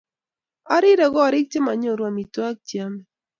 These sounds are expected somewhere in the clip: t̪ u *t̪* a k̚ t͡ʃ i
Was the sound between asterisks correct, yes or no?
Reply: no